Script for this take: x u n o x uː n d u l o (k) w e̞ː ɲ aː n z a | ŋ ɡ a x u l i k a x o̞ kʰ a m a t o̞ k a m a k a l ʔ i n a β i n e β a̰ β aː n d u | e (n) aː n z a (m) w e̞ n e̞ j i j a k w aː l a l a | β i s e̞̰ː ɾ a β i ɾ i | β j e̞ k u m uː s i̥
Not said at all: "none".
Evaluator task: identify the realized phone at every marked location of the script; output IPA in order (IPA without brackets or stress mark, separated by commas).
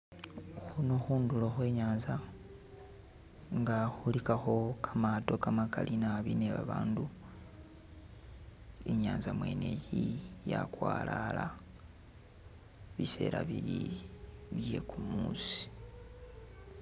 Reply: x, ɲ, m